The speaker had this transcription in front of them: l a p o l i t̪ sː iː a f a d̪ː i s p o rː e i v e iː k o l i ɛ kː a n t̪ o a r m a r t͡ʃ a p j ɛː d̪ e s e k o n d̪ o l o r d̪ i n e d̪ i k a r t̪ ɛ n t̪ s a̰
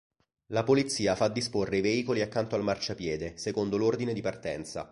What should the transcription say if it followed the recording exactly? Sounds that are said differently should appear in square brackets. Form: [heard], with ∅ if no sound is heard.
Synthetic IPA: l a p o l i t̪ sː iː a f a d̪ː i s p o rː e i v e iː k o l i [a] kː a n t̪ o a [l] m a r t͡ʃ a p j ɛː d̪ e s e k o n d̪ o l o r d̪ i n e d̪ i [p] a r t̪ ɛ n t̪ s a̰